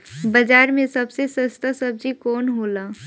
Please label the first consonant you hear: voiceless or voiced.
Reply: voiced